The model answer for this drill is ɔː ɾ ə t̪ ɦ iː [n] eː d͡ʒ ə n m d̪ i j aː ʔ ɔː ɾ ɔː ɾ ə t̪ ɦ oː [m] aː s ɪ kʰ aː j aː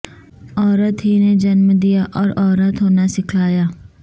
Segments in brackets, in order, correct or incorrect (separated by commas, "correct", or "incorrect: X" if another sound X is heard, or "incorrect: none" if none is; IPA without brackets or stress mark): correct, incorrect: n